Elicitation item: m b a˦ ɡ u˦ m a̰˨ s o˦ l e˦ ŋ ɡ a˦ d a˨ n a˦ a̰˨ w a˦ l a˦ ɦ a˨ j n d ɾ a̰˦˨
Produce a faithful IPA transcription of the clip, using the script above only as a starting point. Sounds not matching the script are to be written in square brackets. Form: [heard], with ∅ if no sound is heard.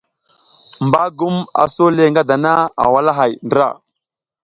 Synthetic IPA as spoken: m b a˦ ɡ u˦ m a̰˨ s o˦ l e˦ ŋ ɡ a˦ d a˨ n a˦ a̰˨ w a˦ l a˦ ɦ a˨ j n d ɾ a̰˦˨